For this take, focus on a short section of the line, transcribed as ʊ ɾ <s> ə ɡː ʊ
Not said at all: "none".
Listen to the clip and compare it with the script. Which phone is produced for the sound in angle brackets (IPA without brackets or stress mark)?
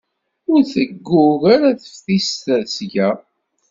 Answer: θ